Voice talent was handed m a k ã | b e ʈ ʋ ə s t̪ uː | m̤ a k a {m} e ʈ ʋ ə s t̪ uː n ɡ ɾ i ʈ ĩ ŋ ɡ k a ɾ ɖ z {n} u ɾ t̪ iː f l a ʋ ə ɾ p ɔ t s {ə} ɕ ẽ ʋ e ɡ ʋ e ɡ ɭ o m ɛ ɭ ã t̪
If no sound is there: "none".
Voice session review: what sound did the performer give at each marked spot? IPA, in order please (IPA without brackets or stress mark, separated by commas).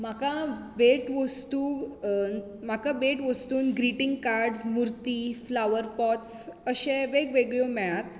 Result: b, m, ə